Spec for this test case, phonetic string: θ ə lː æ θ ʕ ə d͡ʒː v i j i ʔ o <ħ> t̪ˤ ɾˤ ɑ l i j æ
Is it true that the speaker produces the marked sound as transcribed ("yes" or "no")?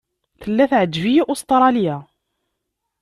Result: no